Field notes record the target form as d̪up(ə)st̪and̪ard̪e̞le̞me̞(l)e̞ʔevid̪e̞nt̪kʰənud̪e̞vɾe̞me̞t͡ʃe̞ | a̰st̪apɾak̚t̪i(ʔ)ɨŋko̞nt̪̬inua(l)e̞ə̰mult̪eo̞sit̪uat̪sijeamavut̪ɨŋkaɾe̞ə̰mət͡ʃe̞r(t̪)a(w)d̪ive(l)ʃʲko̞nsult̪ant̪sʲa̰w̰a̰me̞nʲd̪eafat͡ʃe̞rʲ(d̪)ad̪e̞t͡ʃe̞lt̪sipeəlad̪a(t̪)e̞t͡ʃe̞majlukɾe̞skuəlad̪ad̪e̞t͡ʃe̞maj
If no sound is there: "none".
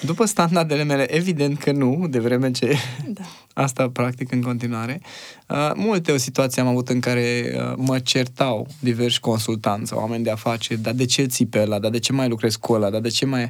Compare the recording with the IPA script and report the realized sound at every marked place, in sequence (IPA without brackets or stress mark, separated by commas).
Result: ə, l, k, ɾ, t̪, w, r, d̪, d̪